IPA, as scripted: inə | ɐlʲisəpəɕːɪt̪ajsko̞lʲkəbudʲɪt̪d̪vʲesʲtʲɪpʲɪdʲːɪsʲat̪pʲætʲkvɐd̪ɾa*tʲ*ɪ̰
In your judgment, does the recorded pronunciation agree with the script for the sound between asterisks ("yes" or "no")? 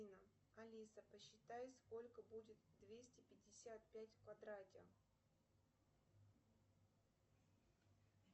yes